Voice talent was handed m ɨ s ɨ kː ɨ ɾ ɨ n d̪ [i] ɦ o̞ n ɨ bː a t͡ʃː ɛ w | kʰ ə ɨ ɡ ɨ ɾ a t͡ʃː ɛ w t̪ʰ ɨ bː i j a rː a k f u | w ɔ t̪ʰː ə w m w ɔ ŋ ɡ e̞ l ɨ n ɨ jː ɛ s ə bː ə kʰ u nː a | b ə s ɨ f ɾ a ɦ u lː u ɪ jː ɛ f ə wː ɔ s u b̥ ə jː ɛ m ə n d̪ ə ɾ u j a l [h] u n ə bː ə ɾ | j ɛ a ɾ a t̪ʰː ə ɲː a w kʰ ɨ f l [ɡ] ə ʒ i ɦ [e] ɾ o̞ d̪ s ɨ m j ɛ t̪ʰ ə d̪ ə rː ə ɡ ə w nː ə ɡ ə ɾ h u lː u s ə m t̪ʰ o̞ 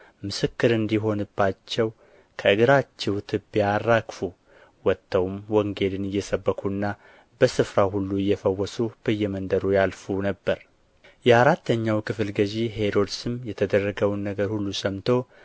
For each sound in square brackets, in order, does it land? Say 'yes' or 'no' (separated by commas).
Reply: yes, no, yes, yes